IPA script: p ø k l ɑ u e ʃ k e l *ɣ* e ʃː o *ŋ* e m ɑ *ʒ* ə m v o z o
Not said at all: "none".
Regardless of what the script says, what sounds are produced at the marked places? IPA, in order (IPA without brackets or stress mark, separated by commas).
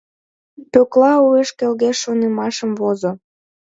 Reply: ɣ, n, ʃ